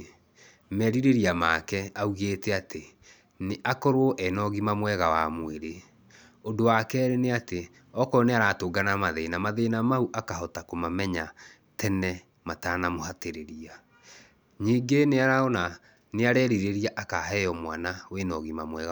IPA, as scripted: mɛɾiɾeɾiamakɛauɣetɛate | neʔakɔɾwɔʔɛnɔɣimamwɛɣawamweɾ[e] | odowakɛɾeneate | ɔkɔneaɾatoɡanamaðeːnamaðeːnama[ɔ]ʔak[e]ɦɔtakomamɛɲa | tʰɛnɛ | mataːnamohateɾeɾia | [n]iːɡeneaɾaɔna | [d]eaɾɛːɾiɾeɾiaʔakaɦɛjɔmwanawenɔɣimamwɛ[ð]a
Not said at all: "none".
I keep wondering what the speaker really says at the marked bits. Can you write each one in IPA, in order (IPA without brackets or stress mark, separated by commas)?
e, u, a, ɲ, n, ɣ